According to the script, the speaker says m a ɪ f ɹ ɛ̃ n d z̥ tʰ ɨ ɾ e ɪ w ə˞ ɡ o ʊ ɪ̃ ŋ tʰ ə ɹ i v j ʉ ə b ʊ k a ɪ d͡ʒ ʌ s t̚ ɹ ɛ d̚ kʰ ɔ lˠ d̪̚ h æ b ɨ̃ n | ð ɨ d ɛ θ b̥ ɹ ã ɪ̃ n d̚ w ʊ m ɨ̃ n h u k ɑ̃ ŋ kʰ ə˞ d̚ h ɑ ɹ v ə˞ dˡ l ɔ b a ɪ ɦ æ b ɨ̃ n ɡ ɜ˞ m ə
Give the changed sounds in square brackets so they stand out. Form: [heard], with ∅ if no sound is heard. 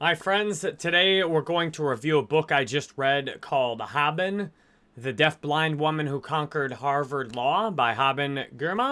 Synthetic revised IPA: m a ɪ f ɹ ɛ̃ n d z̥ tʰ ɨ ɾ e ɪ w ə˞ ɡ o ʊ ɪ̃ ŋ tʰ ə ɹ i v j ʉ ə b ʊ k a ɪ d͡ʒ ʌ s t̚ ɹ ɛ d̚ kʰ ɔ lˠ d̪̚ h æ b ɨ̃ n | ð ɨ d ɛ θ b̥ [l] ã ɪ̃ n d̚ w ʊ m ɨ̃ n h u [kʰ] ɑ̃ ŋ [k] ə˞ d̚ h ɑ ɹ v ə˞ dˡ l ɔ b a ɪ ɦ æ b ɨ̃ n ɡ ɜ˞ m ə